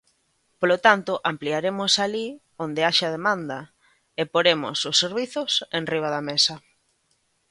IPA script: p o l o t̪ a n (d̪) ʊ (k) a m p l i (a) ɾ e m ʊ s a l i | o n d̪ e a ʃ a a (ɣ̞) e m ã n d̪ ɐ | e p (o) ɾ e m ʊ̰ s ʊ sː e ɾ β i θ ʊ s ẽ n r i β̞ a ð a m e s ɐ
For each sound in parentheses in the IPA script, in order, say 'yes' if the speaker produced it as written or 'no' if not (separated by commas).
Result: no, no, yes, no, yes